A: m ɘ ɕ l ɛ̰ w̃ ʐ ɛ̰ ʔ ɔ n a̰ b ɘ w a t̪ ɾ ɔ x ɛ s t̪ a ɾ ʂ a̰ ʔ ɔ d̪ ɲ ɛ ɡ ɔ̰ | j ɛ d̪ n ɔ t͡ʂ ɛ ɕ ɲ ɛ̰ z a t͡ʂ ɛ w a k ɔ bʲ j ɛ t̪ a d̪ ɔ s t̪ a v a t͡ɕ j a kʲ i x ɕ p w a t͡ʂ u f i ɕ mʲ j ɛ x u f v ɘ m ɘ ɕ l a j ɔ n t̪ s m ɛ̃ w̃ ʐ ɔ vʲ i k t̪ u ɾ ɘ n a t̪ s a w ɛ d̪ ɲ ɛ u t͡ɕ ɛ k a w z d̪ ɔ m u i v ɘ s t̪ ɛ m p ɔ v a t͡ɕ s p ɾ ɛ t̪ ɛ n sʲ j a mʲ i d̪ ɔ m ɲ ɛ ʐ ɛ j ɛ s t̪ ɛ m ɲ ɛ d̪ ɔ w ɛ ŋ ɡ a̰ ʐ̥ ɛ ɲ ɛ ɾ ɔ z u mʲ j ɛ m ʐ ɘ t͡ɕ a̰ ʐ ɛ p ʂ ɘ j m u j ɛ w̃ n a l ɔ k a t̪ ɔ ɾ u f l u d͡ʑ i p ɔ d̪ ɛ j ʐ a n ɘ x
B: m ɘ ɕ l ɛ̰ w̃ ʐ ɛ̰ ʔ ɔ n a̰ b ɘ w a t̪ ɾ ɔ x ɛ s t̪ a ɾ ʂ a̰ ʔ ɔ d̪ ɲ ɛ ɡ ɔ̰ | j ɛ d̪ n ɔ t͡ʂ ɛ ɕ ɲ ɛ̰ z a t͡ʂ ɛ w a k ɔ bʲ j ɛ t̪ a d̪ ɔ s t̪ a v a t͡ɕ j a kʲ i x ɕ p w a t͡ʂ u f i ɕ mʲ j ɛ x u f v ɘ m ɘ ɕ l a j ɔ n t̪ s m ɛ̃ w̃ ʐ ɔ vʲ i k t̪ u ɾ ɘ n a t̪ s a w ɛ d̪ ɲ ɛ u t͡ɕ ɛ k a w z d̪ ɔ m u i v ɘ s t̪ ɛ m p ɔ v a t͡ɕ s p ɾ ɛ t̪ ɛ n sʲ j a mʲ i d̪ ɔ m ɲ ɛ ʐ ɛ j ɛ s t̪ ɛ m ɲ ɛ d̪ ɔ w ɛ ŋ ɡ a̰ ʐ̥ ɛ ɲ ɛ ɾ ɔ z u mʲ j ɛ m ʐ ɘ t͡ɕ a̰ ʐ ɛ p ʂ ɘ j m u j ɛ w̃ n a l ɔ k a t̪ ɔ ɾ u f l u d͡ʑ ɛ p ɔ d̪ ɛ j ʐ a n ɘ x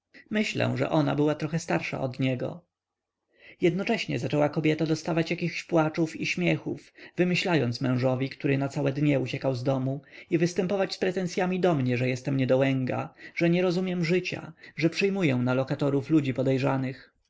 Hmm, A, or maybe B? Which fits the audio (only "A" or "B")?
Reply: A